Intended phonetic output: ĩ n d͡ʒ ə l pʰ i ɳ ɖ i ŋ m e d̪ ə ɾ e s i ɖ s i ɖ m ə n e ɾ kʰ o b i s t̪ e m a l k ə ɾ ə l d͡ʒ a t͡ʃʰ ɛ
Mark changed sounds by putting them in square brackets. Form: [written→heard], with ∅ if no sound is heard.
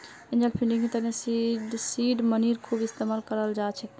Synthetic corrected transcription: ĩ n d͡ʒ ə l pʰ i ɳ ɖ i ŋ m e [d̪→t̪] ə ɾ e s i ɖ s i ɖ m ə n [e→i] ɾ kʰ [o→u] b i s t̪ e m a l k ə ɾ ə l d͡ʒ a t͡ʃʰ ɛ